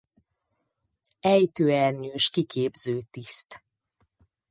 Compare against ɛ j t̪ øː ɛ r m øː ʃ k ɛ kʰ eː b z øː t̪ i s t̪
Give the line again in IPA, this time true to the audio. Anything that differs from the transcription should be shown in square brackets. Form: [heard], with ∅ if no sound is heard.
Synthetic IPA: ɛ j t̪ øː ɛ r [ɲ] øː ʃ k [i] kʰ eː b z øː t̪ i s t̪

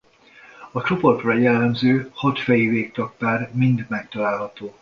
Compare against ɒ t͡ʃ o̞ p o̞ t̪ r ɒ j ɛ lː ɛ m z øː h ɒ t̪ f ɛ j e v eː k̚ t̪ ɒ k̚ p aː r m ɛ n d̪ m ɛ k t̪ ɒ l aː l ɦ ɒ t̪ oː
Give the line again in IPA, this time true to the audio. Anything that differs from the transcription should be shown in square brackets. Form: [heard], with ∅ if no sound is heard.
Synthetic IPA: ɒ t͡ʃ o̞ p o̞ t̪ r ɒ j ɛ lː ɛ m z øː h ɒ t̪ f ɛ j [i] v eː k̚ t̪ ɒ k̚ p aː r m [i] n d̪ m ɛ k t̪ ɒ l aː l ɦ ɒ t̪ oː

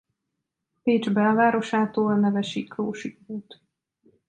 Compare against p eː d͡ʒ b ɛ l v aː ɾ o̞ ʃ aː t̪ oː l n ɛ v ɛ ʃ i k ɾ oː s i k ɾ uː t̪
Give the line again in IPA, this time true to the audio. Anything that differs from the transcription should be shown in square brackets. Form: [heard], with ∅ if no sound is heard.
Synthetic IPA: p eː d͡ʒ b ɛ l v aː ɾ o̞ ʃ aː t̪ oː l n ɛ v ɛ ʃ i k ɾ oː [ʃ] i k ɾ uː t̪

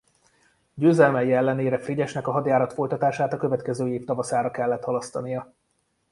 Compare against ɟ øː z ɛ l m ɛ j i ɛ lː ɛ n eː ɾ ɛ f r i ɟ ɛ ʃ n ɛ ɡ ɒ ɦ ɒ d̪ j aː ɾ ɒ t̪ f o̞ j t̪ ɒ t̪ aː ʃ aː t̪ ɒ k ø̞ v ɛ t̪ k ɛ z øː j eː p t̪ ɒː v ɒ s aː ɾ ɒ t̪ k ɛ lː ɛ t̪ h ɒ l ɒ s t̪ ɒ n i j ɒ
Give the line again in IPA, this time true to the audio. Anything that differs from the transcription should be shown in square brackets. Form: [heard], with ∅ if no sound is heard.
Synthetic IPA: ɟ øː z ɛ l m ɛ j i ɛ lː ɛ n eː ɾ ɛ f r i ɟ ɛ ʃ n ɛ [k] ɒ ɦ ɒ d̪ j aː ɾ ɒ t̪ f o̞ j t̪ ɒ t̪ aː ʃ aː t̪ ɒ k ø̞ v ɛ t̪ k ɛ z øː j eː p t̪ [ɒ] v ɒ s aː ɾ ɒ [∅] k ɛ lː ɛ t̪ h ɒ l ɒ s t̪ ɒ n i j ɒ

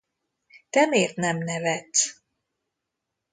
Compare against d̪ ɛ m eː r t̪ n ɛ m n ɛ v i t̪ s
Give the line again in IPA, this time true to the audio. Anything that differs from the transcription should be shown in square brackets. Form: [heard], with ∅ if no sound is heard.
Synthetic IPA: [t̪] ɛ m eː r t̪ n ɛ m n ɛ v [ɛ] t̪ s

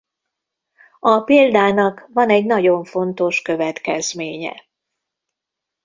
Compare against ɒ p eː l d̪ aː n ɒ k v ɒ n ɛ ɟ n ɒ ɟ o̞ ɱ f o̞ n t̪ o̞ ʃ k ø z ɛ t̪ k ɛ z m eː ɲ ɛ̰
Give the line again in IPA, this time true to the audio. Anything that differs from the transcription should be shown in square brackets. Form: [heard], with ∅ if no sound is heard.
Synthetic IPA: ɒ p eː l d̪ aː n ɒ k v ɒ n ɛ ɟ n ɒ ɟ o̞ ɱ f o̞ n t̪ o̞ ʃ k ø [v] ɛ t̪ k ɛ z m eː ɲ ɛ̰

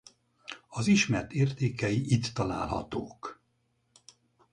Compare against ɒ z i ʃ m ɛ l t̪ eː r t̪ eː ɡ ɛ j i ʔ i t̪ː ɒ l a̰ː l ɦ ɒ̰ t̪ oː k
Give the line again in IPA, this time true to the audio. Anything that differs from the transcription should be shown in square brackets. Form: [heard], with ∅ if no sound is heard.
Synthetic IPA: ɒ z i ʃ m ɛ [r] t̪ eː r t̪ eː [k] ɛ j i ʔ i t̪ː ɒ l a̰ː l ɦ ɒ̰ t̪ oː k

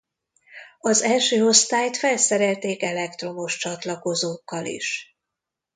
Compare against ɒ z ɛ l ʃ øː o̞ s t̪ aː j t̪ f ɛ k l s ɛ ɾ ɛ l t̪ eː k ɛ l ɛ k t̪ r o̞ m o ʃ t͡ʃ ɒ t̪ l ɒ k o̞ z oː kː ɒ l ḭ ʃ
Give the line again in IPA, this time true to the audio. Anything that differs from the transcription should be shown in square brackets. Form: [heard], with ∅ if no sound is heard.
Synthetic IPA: ɒ z ɛ l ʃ øː o̞ s t̪ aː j t̪ f ɛ [∅] l s ɛ ɾ ɛ l t̪ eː k ɛ l ɛ k t̪ r o̞ m o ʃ t͡ʃ ɒ t̪ l ɒ k o̞ z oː kː ɒ l ḭ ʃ

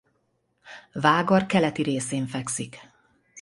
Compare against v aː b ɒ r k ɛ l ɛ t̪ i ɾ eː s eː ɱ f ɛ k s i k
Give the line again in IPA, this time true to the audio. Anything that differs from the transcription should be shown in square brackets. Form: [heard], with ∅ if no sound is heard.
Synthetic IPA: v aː [ɡ] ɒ r k ɛ l ɛ t̪ i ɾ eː s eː ɱ f ɛ k s i k

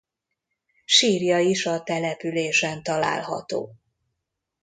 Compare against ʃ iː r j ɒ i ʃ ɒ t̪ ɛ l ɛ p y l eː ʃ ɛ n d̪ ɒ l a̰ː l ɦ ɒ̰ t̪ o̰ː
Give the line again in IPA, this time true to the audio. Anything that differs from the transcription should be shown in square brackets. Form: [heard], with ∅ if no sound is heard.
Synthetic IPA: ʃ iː r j ɒ i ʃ ɒ t̪ ɛ l ɛ p y l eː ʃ ɛ n [t̪] ɒ l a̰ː l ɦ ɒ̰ t̪ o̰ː

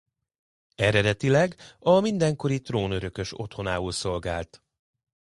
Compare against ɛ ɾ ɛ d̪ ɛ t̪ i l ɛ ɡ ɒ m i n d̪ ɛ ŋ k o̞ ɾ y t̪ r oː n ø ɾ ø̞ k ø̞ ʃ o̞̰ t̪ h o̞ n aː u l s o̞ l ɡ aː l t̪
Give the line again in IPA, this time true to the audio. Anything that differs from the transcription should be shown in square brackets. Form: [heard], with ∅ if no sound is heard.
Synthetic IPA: ɛ ɾ ɛ d̪ ɛ t̪ i l ɛ ɡ ɒ m i n d̪ ɛ ŋ k o̞ ɾ [i] t̪ r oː n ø ɾ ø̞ k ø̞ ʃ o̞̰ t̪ h o̞ n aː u l s o̞ l ɡ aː l t̪

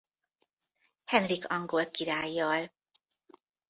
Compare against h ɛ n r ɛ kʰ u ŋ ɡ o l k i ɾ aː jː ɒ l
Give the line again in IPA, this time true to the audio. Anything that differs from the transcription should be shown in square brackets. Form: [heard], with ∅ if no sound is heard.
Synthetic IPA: h ɛ n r [i] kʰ [ɒ] ŋ ɡ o l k i ɾ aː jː ɒ l

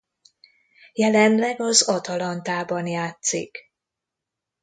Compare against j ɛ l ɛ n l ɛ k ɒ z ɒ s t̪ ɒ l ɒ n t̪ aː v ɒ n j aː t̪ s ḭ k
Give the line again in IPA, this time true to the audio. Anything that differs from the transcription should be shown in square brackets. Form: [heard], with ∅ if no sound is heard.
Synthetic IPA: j ɛ l ɛ n l ɛ [ɡ] ɒ z ɒ [∅] t̪ ɒ l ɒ n t̪ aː [b] ɒ n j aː t̪ s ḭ k

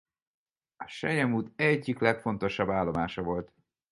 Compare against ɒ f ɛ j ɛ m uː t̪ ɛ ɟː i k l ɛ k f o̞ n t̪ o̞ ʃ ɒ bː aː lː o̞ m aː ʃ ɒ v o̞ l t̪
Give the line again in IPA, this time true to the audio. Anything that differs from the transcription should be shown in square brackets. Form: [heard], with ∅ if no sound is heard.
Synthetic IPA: ɒ [ʃ] ɛ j ɛ m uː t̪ ɛ ɟː i k l ɛ k f o̞ n t̪ o̞ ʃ ɒ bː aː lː o̞ m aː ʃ ɒ v o̞ l t̪

